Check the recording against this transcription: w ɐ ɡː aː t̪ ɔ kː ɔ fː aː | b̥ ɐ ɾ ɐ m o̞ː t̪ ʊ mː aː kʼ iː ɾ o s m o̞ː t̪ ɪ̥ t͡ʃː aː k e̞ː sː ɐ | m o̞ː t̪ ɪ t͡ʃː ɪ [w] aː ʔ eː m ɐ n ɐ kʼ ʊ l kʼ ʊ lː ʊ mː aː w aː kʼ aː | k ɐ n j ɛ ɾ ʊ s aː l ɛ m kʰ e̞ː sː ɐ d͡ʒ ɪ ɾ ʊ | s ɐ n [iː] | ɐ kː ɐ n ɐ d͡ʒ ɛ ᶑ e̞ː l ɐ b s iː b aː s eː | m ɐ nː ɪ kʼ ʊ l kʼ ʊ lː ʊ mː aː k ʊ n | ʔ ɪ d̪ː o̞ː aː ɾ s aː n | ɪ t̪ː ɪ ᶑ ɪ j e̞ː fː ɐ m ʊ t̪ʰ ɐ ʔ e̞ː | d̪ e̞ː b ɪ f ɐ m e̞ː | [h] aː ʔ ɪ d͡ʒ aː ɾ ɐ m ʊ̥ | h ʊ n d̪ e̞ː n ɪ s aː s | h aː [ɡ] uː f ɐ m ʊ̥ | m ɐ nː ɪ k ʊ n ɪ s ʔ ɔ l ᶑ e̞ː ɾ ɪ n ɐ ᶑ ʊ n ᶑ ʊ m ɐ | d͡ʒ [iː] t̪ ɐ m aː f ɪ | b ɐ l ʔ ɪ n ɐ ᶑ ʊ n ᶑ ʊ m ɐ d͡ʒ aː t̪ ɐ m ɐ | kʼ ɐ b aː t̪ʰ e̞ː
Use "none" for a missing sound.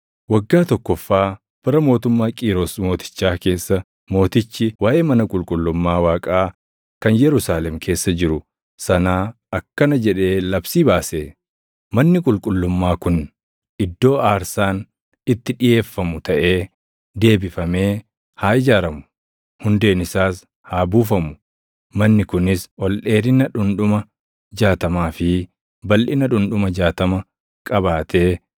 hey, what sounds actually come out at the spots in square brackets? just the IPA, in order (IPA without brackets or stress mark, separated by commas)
w, aː, h, b, aː